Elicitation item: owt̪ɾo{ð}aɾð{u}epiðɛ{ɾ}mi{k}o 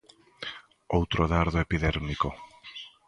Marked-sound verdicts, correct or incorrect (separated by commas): correct, incorrect, correct, correct